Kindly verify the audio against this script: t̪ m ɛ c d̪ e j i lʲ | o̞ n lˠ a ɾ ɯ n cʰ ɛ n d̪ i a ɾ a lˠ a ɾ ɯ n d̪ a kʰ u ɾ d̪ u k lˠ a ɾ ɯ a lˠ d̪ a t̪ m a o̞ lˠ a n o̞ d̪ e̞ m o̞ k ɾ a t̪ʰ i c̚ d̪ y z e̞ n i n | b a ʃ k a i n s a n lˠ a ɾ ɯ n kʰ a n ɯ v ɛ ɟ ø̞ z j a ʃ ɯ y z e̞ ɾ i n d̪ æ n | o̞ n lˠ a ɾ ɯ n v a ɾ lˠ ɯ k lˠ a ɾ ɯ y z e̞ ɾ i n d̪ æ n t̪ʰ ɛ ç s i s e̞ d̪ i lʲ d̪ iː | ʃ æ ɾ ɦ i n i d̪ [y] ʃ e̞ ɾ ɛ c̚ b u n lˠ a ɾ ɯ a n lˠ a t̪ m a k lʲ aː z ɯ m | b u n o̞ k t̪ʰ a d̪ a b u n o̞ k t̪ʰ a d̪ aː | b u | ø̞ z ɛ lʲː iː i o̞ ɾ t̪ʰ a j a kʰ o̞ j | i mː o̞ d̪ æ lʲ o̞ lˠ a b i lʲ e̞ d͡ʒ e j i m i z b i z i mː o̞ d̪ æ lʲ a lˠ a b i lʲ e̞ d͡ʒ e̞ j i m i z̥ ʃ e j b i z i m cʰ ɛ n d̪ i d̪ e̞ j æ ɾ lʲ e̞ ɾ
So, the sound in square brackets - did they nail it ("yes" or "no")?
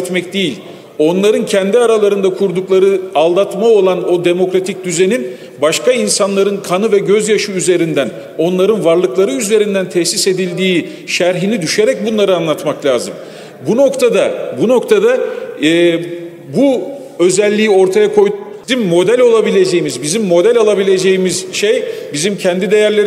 yes